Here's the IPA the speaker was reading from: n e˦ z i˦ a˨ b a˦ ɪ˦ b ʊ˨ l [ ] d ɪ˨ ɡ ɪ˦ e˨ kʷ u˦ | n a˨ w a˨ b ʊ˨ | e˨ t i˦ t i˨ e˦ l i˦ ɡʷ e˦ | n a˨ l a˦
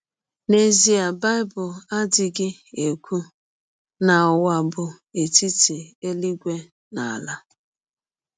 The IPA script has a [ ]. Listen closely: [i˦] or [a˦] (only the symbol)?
a˦